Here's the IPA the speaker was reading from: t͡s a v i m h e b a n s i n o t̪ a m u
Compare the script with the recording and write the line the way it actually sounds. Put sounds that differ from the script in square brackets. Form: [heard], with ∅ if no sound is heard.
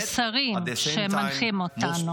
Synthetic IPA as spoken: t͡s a [ʁ] i m [ʃ] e [m] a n [χ] i [m] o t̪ a [n] u